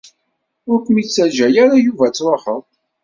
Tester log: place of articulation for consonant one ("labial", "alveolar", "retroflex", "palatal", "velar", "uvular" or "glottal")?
alveolar